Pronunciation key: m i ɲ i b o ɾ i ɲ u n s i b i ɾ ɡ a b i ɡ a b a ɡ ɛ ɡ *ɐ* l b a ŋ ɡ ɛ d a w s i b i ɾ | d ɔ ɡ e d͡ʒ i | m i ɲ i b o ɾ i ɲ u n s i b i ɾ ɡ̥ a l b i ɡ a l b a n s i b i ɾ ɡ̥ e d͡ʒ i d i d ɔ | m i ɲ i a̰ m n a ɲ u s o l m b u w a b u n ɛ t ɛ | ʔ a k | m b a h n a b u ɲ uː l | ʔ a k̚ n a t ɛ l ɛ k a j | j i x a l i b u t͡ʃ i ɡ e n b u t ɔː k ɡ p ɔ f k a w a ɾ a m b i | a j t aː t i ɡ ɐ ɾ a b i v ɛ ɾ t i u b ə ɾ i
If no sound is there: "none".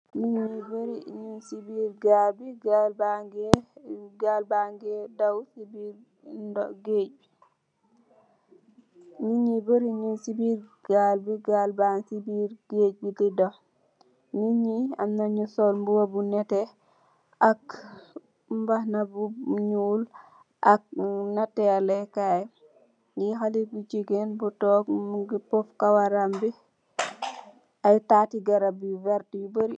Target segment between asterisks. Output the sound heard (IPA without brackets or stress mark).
a